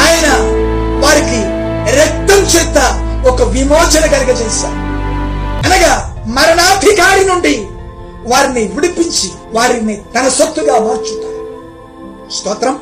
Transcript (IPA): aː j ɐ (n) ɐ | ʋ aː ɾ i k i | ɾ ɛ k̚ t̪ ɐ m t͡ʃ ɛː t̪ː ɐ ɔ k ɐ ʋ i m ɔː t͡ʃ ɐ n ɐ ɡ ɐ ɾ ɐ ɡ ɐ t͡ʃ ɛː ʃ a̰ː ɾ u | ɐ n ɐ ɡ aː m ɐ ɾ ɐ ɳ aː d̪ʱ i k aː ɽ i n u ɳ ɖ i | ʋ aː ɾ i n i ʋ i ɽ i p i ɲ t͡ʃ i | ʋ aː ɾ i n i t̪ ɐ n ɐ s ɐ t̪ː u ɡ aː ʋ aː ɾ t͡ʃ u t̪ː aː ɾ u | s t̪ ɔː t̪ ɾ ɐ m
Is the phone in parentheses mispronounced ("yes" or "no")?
no